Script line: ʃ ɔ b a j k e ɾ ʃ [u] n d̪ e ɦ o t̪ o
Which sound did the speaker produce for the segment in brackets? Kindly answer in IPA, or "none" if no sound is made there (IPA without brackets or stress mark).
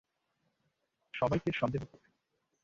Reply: ɔ